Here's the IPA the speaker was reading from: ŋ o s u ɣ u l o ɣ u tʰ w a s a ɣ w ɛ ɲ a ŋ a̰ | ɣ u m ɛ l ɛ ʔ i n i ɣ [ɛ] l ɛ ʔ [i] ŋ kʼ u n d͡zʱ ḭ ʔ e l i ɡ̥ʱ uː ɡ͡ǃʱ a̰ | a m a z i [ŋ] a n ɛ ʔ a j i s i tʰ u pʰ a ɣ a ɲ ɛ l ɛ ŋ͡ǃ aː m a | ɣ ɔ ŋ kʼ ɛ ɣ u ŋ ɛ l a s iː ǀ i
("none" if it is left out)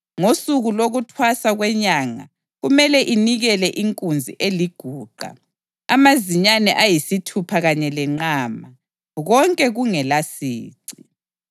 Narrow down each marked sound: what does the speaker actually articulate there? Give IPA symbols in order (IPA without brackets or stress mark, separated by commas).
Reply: ɛ, i, ɲ